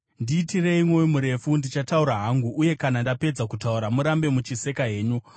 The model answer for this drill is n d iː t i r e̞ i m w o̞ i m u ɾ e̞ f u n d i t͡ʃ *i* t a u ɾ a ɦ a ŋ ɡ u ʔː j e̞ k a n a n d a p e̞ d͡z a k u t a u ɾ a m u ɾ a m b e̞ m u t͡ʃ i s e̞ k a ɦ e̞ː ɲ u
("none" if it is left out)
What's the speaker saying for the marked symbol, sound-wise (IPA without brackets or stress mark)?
a